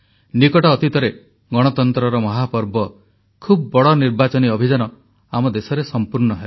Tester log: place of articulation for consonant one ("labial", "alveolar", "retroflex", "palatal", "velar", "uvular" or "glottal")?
alveolar